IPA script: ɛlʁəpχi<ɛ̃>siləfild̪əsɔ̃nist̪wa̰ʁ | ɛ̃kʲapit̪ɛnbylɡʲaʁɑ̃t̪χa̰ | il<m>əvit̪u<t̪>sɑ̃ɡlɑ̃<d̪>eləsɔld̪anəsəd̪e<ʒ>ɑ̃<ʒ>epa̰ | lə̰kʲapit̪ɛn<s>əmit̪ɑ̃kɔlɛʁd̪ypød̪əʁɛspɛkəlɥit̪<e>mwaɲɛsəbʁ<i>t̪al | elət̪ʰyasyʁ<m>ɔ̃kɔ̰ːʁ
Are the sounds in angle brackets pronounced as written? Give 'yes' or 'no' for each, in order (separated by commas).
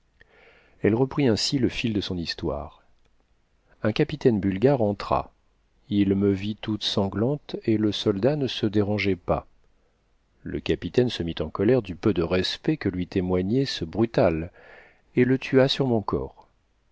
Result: yes, yes, yes, no, no, yes, yes, yes, no, yes